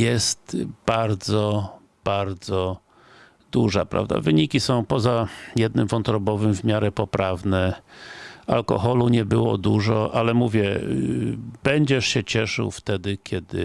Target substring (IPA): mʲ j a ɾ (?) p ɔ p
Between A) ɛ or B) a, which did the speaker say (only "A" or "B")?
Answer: A